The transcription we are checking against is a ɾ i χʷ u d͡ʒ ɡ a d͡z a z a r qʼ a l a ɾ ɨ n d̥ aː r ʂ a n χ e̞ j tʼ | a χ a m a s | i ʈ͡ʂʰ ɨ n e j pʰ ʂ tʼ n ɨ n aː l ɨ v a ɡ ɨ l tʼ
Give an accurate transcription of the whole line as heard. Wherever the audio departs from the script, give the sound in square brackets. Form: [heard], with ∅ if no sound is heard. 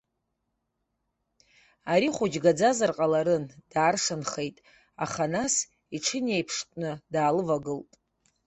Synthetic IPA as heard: a ɾ i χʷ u d͡ʒ ɡ a d͡z a z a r qʼ a l a ɾ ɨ n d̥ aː r ʂ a n χ e̞ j tʼ | a χ a [n] a s | i ʈ͡ʂʰ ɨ n e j pʰ ʂ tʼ n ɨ [d] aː l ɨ v a ɡ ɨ l tʼ

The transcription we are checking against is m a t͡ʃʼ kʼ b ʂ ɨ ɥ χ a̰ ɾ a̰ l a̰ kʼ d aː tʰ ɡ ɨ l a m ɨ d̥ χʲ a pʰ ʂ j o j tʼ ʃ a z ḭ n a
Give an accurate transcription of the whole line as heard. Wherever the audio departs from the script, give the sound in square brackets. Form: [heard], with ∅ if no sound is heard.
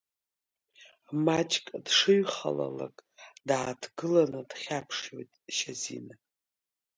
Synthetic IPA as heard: m a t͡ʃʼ kʼ [d] ʂ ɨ ɥ χ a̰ [l] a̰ l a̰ kʼ d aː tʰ ɡ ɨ l a [n] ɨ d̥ χʲ a pʰ ʂ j o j tʼ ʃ a z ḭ n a

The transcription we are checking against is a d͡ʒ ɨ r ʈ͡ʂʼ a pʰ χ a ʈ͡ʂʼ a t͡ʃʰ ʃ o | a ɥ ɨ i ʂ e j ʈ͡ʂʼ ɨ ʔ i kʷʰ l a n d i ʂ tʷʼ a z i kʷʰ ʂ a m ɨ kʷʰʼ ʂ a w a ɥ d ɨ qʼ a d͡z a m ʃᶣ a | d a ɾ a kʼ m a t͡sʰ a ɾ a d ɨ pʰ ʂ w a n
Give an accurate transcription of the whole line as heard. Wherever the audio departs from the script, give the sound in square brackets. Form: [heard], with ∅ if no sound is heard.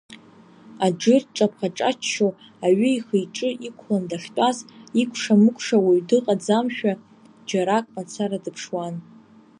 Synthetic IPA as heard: a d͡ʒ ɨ r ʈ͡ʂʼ a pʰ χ a ʈ͡ʂʼ a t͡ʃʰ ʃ o | a ɥ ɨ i [χ] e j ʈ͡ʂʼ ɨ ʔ i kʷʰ l a n d [a] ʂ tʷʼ a z i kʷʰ ʂ a m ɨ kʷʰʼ ʂ a w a ɥ d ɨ qʼ a d͡z a m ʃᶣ a | [d͡ʒ] a ɾ a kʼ m a t͡sʰ a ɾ a d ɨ pʰ ʂ w a n

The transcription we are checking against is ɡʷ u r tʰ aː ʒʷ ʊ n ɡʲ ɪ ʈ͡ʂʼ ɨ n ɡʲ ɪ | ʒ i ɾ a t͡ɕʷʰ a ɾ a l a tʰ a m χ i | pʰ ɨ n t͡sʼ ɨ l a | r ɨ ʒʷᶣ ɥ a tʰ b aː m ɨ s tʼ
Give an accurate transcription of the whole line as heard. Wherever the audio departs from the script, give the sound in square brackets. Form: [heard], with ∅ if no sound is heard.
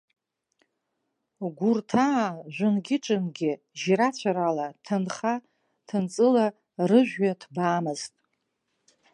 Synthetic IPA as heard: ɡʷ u r tʰ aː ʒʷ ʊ n ɡʲ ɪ ʈ͡ʂʼ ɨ n ɡʲ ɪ | ʒ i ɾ a t͡ɕʷʰ a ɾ a l a tʰ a [n] χ [a] | [tʰ] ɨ n t͡sʼ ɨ l a | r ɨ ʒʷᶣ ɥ a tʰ b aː m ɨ [z] tʼ

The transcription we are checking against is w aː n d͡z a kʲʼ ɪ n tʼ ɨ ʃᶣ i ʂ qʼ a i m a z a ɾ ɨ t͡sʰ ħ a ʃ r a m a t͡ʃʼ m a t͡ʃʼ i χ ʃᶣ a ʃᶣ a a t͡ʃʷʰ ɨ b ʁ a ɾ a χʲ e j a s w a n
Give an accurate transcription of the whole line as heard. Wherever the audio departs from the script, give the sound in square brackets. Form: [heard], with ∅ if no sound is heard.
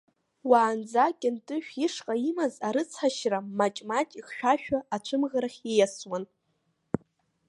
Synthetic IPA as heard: w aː n d͡z a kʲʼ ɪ n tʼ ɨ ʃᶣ i ʂ qʼ a i m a z a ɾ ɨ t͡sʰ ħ a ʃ r a m a t͡ʃʼ m a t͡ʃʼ i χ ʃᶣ a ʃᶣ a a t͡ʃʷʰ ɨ [m] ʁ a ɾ a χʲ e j a s w a n

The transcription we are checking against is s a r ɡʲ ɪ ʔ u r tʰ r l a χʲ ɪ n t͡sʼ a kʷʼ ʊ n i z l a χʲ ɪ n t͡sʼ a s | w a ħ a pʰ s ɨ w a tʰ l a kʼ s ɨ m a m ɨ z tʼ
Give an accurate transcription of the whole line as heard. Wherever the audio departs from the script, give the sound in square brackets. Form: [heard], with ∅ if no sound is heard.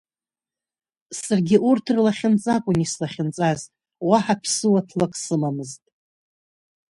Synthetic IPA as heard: s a r ɡʲ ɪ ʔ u r tʰ r l a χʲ ɪ n t͡sʼ a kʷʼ ʊ n i [s] l a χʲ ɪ n t͡sʼ a [z] | w a ħ a pʰ s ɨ w a tʰ l a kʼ s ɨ m a m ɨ z tʼ

